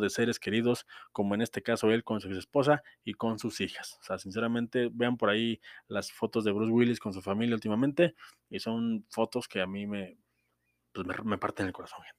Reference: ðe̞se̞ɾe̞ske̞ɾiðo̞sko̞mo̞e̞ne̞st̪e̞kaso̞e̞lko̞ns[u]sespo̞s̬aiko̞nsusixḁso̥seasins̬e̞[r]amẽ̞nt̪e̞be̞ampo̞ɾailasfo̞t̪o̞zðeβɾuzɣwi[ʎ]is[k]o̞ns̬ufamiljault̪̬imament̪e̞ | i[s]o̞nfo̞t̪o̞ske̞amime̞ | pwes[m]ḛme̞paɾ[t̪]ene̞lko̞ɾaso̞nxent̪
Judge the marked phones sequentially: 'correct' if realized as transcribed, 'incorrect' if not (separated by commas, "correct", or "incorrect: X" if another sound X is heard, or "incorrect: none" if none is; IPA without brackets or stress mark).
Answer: correct, incorrect: ɾ, incorrect: l, correct, correct, correct, correct